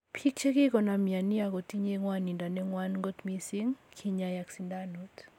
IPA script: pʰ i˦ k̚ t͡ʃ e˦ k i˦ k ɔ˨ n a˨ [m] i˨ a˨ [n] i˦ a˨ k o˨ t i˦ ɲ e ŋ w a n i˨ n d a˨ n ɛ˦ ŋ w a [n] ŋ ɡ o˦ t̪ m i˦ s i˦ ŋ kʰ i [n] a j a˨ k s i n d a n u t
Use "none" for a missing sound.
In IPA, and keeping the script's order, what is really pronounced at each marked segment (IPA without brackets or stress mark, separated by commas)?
m, n, n, ɲ